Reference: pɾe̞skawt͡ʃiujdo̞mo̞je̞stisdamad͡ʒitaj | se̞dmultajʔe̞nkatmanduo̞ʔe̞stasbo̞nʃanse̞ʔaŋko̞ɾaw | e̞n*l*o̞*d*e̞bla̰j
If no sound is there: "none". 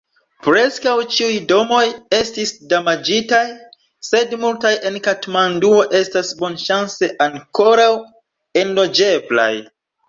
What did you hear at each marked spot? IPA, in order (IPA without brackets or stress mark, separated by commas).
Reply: l, d͡ʒ